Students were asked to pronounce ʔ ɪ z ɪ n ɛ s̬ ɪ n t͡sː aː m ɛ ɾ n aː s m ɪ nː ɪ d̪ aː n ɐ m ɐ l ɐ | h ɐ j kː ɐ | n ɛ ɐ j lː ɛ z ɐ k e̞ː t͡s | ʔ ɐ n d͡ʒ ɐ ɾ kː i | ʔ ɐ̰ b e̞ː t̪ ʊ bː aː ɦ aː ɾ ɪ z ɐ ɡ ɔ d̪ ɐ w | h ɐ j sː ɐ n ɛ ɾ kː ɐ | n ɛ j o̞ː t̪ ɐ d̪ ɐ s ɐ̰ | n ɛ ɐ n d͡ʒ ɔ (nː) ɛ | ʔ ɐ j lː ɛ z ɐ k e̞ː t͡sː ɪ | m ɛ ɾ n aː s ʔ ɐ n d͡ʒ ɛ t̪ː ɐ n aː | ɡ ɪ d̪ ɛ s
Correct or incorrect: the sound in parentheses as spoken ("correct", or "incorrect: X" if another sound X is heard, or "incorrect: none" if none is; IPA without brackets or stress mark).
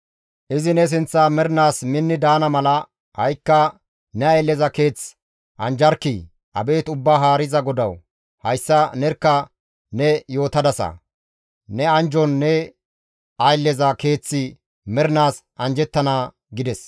correct